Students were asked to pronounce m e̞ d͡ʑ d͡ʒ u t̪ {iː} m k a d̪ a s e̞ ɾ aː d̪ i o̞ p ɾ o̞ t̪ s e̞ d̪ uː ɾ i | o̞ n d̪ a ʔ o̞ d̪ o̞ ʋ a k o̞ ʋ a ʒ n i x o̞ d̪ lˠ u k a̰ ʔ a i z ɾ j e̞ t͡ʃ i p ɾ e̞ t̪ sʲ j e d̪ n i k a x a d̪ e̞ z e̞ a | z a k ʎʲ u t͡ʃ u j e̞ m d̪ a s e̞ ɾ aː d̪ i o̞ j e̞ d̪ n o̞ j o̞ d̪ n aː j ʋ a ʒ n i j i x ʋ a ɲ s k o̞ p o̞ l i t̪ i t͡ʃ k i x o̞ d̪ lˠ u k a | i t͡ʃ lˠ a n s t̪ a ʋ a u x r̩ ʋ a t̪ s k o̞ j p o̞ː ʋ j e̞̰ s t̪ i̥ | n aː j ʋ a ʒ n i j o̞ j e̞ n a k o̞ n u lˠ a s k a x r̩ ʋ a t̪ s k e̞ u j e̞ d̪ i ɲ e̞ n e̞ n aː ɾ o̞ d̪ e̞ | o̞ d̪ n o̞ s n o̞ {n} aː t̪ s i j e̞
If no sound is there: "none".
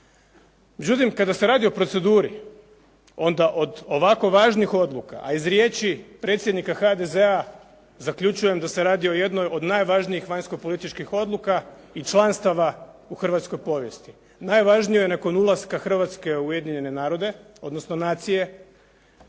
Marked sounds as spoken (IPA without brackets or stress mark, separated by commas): i, n